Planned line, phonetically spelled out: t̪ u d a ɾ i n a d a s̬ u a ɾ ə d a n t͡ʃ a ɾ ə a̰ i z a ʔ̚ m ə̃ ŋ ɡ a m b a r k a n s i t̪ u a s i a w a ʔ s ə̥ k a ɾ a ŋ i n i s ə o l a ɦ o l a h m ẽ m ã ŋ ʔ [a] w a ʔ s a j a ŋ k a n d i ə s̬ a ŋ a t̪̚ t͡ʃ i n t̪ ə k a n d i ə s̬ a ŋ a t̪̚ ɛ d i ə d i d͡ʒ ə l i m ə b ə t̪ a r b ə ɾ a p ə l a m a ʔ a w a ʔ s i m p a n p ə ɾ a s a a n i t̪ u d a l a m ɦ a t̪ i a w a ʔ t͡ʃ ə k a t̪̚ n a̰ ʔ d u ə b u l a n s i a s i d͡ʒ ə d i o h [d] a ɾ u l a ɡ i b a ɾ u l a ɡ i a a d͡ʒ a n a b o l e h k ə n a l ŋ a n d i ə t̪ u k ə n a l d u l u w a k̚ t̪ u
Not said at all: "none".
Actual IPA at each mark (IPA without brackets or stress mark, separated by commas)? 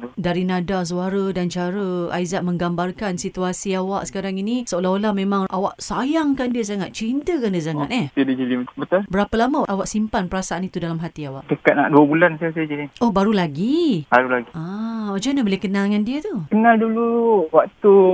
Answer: a, b